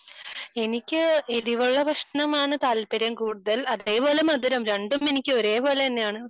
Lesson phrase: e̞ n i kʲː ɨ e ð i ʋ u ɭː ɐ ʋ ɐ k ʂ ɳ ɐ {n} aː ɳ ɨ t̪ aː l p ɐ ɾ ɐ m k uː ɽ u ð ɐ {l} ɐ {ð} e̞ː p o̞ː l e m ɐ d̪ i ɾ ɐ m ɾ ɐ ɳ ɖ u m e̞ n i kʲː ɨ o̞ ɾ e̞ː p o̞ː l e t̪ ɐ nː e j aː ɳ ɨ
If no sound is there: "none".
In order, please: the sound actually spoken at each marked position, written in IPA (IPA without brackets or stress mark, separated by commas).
m, l, ð